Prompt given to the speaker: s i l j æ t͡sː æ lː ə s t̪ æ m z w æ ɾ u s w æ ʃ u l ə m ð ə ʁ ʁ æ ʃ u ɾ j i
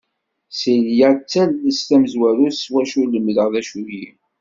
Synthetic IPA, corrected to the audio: s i l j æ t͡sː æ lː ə s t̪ æ m z w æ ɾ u s w æ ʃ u l ə m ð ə ʁ ð æ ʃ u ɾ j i